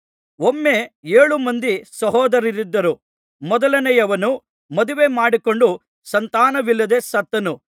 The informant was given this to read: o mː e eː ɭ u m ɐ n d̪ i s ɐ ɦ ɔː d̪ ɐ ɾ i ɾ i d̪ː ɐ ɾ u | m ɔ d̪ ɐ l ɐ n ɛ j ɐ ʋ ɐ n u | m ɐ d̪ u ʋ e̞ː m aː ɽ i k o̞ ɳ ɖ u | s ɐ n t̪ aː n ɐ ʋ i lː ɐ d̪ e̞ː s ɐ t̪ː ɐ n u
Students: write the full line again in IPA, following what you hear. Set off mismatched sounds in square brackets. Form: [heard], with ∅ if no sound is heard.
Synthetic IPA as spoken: o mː e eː ɭ u m ɐ n d̪ i s ɐ ɦ ɔː d̪ ɐ ɾ i ɾ i d̪ː ɐ ɾ u | m ɔ d̪ ɐ l ɐ n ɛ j ɐ ʋ ɐ n u | m ɐ d̪ u ʋ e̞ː m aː ɽ i k o̞ ɳ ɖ u | s ɐ n t̪ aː n ɐ ʋ i lː ɐ d̪ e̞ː s ɐ t̪ː ɐ n u